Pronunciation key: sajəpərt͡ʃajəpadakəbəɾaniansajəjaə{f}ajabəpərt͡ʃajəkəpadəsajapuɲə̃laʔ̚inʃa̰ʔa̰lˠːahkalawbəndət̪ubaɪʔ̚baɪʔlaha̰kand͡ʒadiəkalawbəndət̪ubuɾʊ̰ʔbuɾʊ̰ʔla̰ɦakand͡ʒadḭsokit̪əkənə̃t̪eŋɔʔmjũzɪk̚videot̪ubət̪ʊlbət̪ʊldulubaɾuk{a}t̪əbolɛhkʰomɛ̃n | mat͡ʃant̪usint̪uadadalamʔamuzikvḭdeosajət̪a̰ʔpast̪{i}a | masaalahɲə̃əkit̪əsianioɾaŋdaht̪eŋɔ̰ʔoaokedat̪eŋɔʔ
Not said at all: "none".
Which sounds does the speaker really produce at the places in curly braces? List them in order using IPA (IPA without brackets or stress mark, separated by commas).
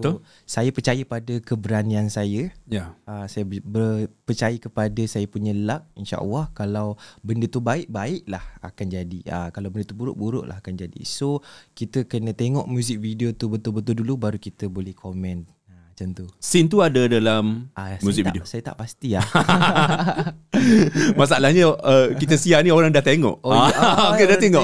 s, i, i